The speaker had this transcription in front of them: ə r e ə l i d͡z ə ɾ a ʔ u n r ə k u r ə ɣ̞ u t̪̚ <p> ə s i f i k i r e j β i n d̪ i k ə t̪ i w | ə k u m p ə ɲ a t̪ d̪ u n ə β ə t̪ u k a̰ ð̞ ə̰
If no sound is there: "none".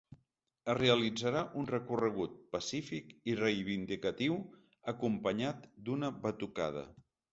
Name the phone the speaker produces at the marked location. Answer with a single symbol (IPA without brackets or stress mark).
p